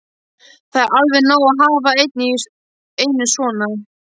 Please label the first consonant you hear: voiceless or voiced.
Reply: voiceless